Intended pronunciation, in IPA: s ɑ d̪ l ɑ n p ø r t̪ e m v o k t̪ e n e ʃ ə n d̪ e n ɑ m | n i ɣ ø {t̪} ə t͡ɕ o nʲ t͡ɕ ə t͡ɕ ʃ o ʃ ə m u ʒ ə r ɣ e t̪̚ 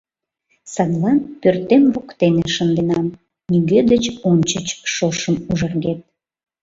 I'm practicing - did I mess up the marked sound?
yes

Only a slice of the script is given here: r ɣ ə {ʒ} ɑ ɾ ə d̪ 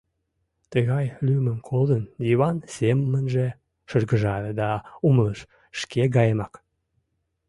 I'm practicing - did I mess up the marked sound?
no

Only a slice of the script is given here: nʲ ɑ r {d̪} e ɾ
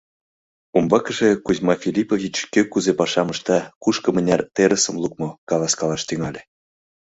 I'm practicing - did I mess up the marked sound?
yes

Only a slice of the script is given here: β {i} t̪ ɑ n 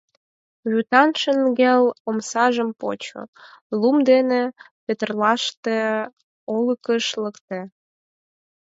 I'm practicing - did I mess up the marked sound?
yes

